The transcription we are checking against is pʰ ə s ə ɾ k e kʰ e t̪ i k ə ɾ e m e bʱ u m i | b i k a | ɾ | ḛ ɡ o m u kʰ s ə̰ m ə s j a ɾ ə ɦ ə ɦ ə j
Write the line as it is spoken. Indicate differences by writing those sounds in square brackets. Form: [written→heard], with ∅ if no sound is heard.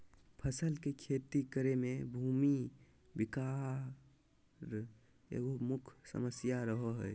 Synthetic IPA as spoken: pʰ ə s ə [ɾ→l] k e kʰ e t̪ i k ə ɾ e m e bʱ u m i | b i k a | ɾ | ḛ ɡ o m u kʰ s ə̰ m ə s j a ɾ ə ɦ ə ɦ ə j